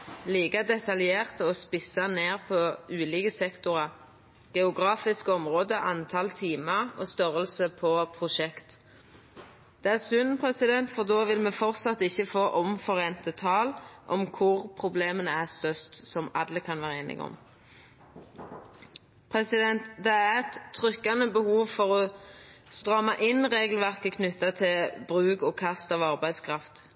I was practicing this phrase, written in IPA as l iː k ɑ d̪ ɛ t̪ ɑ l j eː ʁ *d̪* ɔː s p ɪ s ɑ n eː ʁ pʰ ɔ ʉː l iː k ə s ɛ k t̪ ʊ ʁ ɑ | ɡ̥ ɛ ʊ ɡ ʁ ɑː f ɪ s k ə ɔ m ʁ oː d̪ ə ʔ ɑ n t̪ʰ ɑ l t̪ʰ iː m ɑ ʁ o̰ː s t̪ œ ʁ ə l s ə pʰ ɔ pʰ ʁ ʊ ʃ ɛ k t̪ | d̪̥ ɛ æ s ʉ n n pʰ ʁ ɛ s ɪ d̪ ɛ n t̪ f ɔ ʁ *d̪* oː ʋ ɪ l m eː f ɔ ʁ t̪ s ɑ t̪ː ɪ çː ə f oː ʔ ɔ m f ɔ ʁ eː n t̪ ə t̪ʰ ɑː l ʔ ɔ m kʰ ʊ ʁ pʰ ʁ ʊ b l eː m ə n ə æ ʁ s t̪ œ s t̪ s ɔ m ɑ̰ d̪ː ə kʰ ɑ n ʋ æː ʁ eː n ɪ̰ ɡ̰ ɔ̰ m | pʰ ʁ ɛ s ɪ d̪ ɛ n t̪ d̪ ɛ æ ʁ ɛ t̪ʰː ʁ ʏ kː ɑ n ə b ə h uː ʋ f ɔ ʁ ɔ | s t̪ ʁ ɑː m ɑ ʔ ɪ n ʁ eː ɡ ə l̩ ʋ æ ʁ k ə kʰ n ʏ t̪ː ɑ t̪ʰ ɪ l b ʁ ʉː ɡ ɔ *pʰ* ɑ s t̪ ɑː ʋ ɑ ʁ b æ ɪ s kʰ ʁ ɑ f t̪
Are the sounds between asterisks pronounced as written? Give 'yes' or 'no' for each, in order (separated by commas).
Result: no, yes, no